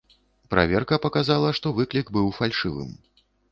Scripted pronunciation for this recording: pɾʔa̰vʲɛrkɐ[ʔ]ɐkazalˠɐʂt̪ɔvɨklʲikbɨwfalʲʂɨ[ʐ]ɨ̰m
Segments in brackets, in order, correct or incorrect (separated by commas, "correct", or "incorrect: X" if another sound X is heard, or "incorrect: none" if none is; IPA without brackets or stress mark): incorrect: p, incorrect: v